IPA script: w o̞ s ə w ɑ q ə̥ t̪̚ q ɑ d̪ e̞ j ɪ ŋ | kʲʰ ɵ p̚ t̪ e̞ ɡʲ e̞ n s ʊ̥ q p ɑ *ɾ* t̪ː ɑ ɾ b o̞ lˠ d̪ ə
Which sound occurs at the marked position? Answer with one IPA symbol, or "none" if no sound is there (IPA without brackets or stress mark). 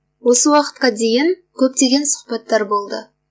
none